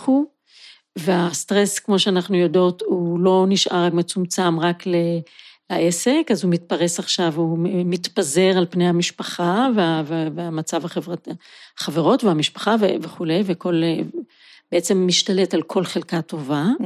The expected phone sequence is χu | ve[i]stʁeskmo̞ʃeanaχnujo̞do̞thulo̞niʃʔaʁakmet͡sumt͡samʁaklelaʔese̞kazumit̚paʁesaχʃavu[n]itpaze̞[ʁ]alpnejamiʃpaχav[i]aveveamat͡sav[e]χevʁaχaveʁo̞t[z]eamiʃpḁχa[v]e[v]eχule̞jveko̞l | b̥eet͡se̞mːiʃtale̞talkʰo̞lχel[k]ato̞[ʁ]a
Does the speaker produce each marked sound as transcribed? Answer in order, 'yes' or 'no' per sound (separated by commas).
no, no, yes, no, no, no, yes, yes, yes, no